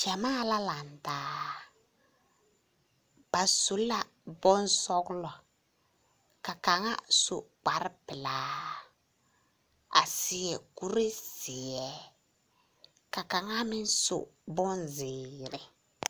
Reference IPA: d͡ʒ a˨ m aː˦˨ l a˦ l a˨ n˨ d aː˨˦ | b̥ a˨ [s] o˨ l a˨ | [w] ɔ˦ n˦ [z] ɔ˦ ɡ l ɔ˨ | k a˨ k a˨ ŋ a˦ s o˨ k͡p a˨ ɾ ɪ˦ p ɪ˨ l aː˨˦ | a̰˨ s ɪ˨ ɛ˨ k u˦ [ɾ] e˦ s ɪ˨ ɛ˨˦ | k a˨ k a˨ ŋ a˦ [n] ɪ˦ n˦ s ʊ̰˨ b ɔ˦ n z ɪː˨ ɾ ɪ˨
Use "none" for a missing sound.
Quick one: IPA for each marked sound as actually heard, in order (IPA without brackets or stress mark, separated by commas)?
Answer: s, b, s, ɾ, m